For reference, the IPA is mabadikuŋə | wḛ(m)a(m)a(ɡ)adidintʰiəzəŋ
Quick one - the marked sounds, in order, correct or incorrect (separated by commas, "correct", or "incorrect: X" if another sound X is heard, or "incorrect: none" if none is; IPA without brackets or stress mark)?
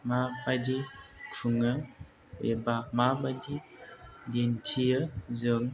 incorrect: b, correct, incorrect: b